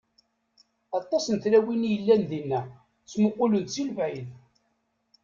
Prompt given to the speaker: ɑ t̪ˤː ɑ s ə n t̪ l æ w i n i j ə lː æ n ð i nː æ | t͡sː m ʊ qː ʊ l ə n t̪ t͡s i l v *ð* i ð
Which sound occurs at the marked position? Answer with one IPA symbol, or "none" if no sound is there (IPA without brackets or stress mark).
ʕ